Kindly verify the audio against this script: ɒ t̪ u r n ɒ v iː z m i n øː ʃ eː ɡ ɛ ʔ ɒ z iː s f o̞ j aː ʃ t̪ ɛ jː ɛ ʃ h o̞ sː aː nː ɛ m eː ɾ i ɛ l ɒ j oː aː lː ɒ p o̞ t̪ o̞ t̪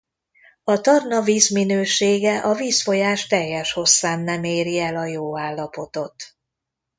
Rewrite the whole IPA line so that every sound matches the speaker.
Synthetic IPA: ɒ t̪ ɒ r n ɒ v iː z m i n øː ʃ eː ɡ ɛ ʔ ɒ v iː s f o̞ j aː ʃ t̪ ɛ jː ɛ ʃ h o̞ sː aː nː ɛ m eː ɾ i ɛ l ɒ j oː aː lː ɒ p o̞ t̪ o̞ t̪

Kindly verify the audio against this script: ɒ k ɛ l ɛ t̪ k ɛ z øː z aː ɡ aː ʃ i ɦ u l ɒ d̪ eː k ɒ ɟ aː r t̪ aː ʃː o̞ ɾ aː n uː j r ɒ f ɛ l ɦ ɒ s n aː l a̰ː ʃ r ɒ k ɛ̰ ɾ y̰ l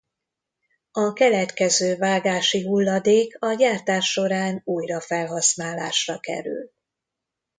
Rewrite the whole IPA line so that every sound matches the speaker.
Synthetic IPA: ɒ k ɛ l ɛ t̪ k ɛ z øː v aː ɡ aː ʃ i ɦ u lː ɒ d̪ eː k ɒ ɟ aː r t̪ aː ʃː o̞ ɾ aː n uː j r ɒ f ɛ l ɦ ɒ s n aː l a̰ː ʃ r ɒ k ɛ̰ ɾ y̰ l

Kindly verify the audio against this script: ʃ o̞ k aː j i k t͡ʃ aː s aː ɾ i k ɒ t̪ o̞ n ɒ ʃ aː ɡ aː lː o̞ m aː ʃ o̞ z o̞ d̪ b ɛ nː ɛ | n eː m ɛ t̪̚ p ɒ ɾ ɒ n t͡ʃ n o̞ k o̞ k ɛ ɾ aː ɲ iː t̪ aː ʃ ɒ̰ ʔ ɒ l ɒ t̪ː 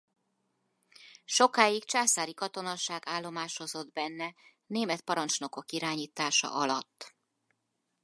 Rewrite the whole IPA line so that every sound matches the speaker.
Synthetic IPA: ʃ o̞ k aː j i k t͡ʃ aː s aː ɾ i k ɒ t̪ o̞ n ɒ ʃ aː ɡ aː lː o̞ m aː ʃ o̞ z o̞ d̪ b ɛ nː ɛ | n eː m ɛ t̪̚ p ɒ ɾ ɒ n t͡ʃ n o̞ k o̞ k i ɾ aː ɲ iː t̪ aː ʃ ɒ̰ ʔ ɒ l ɒ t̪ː

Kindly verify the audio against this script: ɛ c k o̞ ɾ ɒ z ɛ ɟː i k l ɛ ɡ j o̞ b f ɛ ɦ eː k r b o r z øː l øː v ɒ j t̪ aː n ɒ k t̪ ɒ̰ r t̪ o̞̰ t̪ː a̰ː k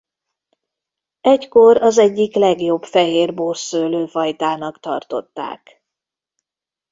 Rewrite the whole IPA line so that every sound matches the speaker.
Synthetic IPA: ɛ c k o̞ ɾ ɒ z ɛ ɟː i k l ɛ ɡ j o̞ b f ɛ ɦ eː r b o r s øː l øː f ɒ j t̪ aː n ɒ k t̪ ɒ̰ r t̪ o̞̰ t̪ː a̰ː k

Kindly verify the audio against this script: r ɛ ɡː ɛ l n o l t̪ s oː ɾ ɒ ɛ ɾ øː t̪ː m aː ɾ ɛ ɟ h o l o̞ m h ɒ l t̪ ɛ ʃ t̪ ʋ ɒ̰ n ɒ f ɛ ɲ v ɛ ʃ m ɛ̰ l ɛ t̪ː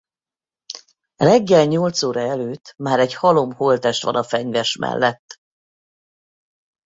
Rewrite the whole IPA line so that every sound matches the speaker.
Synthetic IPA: r ɛ ɡː ɛ l ɲ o l t̪ s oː ɾ ɒ ɛ l øː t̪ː m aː ɾ ɛ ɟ h ɒ l o̞ m h o l t̪ ɛ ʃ t̪ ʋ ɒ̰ n ɒ f ɛ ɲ v ɛ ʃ m ɛ̰ lː ɛ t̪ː

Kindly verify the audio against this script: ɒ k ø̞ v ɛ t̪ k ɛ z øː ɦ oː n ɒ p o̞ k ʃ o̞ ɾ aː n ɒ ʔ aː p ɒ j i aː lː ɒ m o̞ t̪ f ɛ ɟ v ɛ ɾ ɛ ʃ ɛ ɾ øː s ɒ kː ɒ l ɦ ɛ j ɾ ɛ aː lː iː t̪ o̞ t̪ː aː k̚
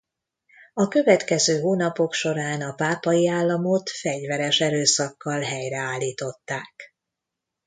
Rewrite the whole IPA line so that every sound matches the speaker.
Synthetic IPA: ɒ k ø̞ v ɛ t̪ k ɛ z øː ɦ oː n ɒ p o̞ k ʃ o̞ ɾ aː n ɒ p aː p ɒ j i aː lː ɒ m o̞ t̪ f ɛ ɟ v ɛ ɾ ɛ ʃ ɛ ɾ øː s ɒ kː ɒ l ɦ ɛ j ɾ ɛ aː lː iː t̪ o̞ t̪ː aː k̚

